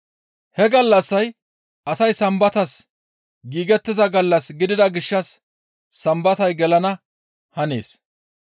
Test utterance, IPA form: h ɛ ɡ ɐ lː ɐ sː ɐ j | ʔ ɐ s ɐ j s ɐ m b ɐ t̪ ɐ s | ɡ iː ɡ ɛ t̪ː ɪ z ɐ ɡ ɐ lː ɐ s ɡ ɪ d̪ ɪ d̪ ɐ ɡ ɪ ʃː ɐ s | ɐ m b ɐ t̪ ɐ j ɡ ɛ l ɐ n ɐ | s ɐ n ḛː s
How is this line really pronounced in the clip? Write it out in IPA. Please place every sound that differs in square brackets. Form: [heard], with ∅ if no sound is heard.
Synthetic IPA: h ɛ ɡ ɐ lː ɐ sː ɐ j | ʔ ɐ s ɐ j s ɐ m b ɐ t̪ ɐ s | ɡ iː ɡ ɛ t̪ː ɪ z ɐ ɡ ɐ lː ɐ s ɡ ɪ d̪ ɪ d̪ ɐ ɡ ɪ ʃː ɐ [sː] | ɐ m b ɐ t̪ ɐ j ɡ ɛ l ɐ n ɐ | [h] ɐ n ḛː s

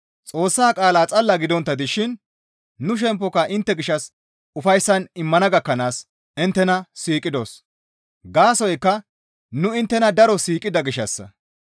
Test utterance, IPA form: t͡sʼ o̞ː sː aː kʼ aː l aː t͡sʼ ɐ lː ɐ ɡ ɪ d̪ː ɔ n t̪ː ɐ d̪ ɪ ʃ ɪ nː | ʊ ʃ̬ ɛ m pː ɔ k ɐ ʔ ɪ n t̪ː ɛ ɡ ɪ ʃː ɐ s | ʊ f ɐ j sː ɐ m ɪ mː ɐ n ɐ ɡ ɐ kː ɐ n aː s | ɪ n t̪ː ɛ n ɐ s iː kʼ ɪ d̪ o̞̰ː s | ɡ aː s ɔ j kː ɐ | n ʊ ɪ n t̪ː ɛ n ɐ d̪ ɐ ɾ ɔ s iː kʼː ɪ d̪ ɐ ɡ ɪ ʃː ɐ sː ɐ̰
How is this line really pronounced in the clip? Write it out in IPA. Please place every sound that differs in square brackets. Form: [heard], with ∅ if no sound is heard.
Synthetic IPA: t͡sʼ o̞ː sː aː kʼ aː l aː t͡sʼ ɐ lː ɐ ɡ ɪ [d̪] ɔ n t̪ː ɐ d̪ ɪ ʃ ɪ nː | ʊ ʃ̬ ɛ m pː ɔ k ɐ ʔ ɪ n t̪ː ɛ ɡ ɪ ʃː ɐ s | ʊ f ɐ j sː ɐ [n] ɪ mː ɐ n ɐ ɡ ɐ kː ɐ n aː s | ɪ n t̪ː ɛ n ɐ s iː kʼ ɪ d̪ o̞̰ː s | ɡ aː s ɔ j kː ɐ | n ʊ ɪ n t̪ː ɛ n ɐ d̪ ɐ ɾ ɔ s iː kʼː ɪ d̪ ɐ ɡ ɪ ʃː ɐ sː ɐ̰

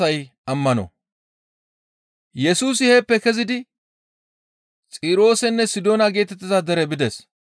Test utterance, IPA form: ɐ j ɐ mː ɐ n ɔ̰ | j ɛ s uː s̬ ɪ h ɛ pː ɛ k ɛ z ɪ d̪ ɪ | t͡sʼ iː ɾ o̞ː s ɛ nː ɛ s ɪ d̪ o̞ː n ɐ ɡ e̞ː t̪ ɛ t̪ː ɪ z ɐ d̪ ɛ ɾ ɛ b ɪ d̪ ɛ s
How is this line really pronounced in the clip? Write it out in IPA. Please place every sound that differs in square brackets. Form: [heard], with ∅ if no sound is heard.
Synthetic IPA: ɐ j ɐ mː ɐ n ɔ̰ | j ɛ s uː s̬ ɪ h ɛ pː ɛ k ɛ z ɪ d̪ ɪ | t͡sʼ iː ɾ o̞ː s ɛ nː ɛ s ɪ d̪ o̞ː n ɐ ɡ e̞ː t̪ ɛ t̪ː ɪ z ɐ d̪ ɛ ɾ ɛ b ɪ d̪ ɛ s

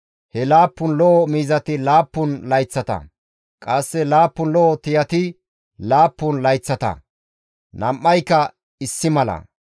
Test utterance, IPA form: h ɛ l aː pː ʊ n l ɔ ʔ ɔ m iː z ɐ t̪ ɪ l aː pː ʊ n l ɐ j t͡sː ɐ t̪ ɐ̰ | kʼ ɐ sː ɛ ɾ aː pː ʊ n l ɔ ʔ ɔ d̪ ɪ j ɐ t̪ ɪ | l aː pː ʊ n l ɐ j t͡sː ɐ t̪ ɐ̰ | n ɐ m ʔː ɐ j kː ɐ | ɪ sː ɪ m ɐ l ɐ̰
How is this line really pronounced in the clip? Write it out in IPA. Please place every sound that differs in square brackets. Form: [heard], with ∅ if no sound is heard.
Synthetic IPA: h ɛ l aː pː ʊ n l ɔ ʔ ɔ m iː z ɐ t̪ ɪ l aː pː ʊ n l ɐ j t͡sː ɐ t̪ ɐ̰ | kʼ ɐ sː ɛ [l] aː pː ʊ n l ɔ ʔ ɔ [t̪] ɪ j ɐ t̪ ɪ | l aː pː ʊ n l ɐ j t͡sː ɐ t̪ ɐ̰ | n ɐ m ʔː ɐ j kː ɐ | ɪ sː ɪ m ɐ l ɐ̰

